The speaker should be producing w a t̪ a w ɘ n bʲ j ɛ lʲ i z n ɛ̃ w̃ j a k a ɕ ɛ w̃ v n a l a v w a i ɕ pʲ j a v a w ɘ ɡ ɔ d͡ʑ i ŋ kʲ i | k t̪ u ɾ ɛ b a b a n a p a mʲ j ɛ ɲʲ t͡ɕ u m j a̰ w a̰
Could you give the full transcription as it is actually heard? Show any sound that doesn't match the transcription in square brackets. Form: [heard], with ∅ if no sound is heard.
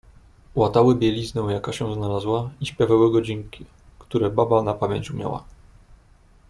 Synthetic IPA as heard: w a t̪ a w ɘ [∅] bʲ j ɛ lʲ i z n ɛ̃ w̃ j a k a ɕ ɛ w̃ [z] n a l a [z] w a i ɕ pʲ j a v a w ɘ ɡ ɔ d͡ʑ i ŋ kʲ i | k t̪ u ɾ ɛ b a b a n a p a mʲ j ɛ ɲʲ t͡ɕ u m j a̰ w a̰